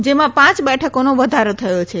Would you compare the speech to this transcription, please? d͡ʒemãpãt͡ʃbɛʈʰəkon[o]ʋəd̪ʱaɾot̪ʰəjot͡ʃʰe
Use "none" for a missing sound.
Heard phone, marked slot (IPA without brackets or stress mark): o